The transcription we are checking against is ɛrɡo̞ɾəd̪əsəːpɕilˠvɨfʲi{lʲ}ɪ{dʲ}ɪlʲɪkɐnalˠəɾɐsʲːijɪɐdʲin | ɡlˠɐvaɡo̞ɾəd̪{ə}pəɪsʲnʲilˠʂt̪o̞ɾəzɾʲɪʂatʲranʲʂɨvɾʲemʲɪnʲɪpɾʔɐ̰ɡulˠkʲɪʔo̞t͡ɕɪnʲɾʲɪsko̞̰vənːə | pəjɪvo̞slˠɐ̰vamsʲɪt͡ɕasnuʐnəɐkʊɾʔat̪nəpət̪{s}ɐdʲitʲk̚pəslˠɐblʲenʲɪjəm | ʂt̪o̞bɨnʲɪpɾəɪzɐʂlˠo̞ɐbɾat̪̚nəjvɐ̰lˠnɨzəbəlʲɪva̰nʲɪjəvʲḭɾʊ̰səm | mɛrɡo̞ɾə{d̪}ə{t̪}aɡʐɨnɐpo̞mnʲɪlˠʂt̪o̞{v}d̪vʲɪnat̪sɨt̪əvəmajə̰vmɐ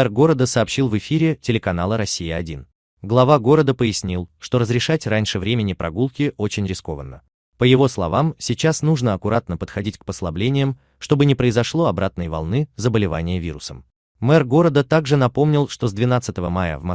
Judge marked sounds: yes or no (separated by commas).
no, no, yes, no, yes, yes, no